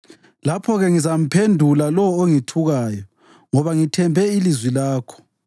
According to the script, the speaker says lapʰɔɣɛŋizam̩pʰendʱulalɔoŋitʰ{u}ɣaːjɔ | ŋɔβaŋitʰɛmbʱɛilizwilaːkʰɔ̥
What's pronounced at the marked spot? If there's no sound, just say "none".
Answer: u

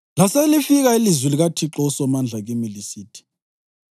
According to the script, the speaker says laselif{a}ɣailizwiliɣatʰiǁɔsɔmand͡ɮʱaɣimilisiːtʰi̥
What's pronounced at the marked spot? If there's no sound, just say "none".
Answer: i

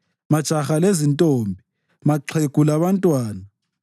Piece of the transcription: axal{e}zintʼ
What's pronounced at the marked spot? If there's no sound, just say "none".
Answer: e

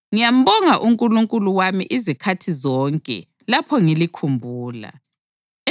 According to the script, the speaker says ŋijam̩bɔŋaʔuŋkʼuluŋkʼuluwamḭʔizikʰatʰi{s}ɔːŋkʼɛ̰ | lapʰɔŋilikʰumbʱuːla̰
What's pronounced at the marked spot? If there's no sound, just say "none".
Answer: z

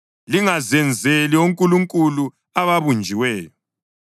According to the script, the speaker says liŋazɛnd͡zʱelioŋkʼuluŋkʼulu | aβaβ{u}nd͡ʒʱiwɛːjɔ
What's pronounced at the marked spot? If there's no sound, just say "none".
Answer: u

